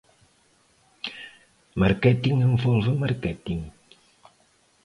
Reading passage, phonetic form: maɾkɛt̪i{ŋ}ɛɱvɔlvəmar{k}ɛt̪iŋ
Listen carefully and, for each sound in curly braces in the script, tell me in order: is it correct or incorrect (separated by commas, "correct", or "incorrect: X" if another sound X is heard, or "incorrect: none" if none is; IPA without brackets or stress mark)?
correct, correct